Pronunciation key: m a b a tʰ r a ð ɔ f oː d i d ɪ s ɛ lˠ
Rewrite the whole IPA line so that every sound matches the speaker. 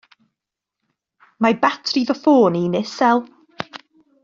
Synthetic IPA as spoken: m a b a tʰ r i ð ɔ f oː n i n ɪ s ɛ lˠ